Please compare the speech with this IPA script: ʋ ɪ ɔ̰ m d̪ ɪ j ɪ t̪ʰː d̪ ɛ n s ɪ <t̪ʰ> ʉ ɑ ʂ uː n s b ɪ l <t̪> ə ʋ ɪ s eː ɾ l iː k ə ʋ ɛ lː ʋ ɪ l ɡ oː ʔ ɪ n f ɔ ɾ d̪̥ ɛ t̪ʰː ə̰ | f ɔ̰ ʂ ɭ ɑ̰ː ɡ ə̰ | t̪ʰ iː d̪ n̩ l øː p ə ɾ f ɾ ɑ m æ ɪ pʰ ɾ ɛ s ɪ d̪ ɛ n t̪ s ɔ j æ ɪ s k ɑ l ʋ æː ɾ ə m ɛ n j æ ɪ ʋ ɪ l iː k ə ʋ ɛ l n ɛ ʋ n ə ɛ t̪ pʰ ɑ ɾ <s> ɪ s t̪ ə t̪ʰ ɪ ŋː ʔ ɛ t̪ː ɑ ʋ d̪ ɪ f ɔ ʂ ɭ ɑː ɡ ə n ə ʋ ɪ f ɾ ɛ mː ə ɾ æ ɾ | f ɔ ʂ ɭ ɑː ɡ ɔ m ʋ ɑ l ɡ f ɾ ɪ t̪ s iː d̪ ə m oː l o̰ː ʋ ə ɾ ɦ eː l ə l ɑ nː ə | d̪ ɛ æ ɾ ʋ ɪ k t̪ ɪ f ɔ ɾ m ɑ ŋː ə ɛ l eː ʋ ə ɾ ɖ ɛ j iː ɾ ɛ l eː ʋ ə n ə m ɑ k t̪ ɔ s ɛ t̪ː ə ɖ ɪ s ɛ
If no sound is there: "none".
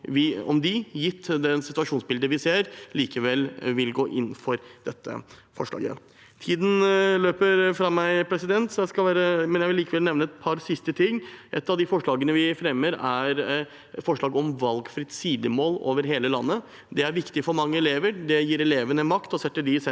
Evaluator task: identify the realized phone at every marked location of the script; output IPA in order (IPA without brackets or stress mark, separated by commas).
t̪, d̪, s